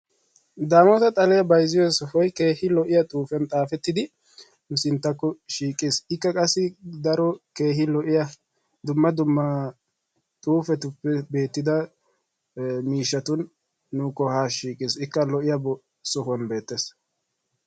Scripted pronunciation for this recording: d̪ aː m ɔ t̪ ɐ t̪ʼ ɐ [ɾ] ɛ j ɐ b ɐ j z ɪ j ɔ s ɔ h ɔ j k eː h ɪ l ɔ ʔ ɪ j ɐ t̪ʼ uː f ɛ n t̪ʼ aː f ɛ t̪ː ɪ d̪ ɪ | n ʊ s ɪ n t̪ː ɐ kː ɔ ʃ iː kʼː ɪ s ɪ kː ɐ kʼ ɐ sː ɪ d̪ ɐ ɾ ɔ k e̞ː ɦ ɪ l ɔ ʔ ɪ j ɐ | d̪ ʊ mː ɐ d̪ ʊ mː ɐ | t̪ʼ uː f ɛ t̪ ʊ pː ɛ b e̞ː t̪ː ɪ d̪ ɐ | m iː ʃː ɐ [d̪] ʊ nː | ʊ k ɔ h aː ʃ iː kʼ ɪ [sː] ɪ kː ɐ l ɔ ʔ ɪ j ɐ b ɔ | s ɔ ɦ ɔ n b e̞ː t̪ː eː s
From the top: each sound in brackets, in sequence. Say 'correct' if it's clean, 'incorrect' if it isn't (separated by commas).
incorrect, incorrect, incorrect